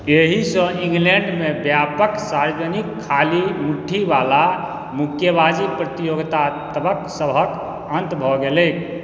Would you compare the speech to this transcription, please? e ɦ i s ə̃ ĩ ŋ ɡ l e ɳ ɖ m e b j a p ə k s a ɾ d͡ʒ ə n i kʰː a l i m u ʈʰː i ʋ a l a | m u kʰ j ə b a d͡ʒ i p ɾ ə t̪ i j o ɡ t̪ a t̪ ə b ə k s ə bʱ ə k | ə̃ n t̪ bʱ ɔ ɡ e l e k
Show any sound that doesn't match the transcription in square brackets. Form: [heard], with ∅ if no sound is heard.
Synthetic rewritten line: e ɦ i s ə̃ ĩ ŋ ɡ l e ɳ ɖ m e b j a p ə k s a ɾ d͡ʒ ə n i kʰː a l i m u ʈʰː i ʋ a l a | m u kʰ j ə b a d͡ʒ i p ɾ ə t̪ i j o ɡ t̪ a t̪ ə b ə k s ə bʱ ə k | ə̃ n t̪ bʱ ɔ ɡ e l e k

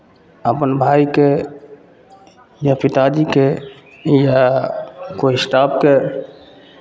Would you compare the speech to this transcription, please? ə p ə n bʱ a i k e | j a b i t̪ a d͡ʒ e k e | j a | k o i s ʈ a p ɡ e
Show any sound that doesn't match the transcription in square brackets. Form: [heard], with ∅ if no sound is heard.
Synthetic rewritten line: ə p ə n bʱ a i k e | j a [p] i t̪ a d͡ʒ [i] k e | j a | k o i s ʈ a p [k] e

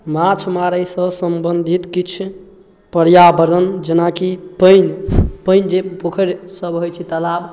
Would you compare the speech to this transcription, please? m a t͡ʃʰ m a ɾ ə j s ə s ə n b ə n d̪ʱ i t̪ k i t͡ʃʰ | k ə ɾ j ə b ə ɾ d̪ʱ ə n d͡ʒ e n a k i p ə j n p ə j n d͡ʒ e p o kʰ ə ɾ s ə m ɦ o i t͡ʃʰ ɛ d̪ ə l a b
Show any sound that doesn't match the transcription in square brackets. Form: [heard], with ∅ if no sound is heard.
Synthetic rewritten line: m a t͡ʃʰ m a ɾ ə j s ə s ə [m] b ə n d̪ʱ i t̪ k i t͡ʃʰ | [p] ə ɾ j [a] b ə ɾ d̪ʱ ə n d͡ʒ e n a k i p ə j n p ə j n d͡ʒ e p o kʰ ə ɾ s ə [b] ɦ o [j] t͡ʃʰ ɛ [t̪] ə l a b

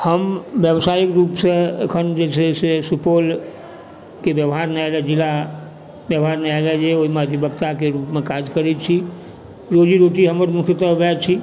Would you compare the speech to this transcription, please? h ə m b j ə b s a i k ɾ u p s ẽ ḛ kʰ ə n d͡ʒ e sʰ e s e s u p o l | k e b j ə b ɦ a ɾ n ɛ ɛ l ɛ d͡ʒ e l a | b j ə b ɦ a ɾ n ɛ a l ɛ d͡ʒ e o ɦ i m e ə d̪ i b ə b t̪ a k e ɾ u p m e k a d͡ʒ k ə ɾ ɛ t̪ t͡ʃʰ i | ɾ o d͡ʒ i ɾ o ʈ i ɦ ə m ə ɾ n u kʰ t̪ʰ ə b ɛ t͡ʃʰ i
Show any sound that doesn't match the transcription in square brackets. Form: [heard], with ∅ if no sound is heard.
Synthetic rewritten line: h ə m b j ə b s a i k ɾ u p s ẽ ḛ kʰ ə n d͡ʒ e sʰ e s e s u p o l | k e b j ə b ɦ a ɾ n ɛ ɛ l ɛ d͡ʒ [i] l a | b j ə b ɦ a ɾ n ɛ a l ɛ d͡ʒ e o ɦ i m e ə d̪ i b ə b t̪ a k e ɾ u p m e k a d͡ʒ k ə ɾ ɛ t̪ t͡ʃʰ i | ɾ o d͡ʒ i ɾ o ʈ i ɦ ə m ə ɾ [m] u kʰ [t̪] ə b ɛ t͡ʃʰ i

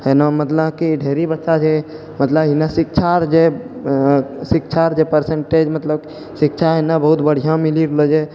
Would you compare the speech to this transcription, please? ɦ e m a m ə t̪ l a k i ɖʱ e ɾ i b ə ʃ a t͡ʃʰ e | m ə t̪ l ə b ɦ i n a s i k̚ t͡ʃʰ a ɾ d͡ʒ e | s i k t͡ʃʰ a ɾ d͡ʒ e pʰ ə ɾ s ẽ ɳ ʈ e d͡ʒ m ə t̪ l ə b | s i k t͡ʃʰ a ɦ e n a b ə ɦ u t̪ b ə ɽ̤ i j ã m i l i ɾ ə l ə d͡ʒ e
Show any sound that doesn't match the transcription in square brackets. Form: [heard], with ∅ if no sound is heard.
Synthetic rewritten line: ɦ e [n] a m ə t̪ l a k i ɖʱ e ɾ i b ə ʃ a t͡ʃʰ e | m ə t̪ l ə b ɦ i n a s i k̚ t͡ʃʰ a ɾ d͡ʒ e | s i k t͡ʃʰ a ɾ d͡ʒ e [p] ə ɾ s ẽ ɳ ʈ e d͡ʒ m ə t̪ l ə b | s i k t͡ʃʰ a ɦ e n a b ə ɦ u t̪ b ə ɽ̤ i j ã m i l i ɾ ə l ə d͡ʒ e

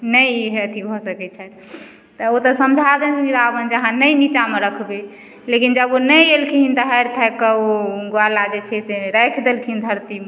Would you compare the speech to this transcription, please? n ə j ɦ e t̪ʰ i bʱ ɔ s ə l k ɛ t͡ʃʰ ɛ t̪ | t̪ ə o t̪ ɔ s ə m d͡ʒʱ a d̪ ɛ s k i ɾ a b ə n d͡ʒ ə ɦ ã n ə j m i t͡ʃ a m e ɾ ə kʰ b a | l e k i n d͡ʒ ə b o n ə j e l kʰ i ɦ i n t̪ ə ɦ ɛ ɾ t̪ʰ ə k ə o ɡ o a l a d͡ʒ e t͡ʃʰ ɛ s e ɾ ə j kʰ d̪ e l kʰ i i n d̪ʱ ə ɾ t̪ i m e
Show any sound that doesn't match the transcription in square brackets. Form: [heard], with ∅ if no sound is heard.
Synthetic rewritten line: n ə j ɦ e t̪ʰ i bʱ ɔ s ə [∅] k ɛ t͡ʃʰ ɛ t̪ | t̪ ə o t̪ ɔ s ə m d͡ʒʱ a d̪ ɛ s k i ɾ a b ə n d͡ʒ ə ɦ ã n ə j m i t͡ʃ a m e ɾ ə kʰ b [e] | l e k i n d͡ʒ ə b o n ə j e l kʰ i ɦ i n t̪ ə ɦ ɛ ɾ t̪ʰ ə k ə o ɡ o a l a d͡ʒ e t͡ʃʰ ɛ s e ɾ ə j kʰ d̪ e l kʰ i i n d̪ʱ ə ɾ t̪ i m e

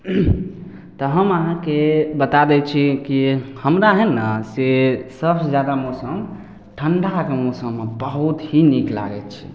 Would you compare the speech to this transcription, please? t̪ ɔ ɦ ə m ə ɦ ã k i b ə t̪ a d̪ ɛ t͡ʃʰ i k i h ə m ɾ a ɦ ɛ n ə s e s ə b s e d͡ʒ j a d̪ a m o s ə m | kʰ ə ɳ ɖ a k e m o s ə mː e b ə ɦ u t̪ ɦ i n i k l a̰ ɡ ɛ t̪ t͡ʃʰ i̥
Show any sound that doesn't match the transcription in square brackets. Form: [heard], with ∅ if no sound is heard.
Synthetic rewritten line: t̪ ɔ ɦ ə m ə ɦ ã k [e] b ə t̪ a d̪ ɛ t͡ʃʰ i k i h ə m ɾ a ɦ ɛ n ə s e s ə b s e d͡ʒ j a d̪ a m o s ə m | [ʈʰ] ə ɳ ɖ a k e m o s ə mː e b ə ɦ u t̪ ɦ i n i k l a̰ ɡ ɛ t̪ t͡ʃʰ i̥

